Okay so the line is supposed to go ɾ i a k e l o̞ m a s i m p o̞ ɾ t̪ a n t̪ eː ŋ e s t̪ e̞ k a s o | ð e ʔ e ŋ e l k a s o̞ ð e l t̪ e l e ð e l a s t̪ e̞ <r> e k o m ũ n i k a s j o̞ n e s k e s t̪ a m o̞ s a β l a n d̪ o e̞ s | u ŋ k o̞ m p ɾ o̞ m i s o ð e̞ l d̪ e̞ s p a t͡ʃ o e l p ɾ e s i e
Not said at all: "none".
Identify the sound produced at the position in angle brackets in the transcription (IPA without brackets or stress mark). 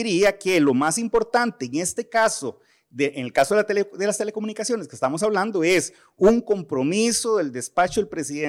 l